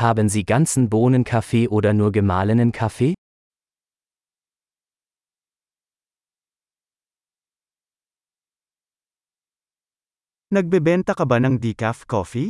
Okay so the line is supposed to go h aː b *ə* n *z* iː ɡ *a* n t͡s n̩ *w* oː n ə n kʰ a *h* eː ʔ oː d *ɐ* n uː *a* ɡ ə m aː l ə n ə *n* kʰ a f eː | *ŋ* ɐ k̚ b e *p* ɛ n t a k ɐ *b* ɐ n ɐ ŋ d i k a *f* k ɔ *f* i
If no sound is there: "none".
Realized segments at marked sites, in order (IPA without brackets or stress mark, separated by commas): ə, z, a, b, f, ɐ, ɐ, n, n, b, b, f, f